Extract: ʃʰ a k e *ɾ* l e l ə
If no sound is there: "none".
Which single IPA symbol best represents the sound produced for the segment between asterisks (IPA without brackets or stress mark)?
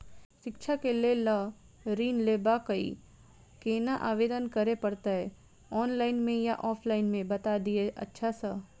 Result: none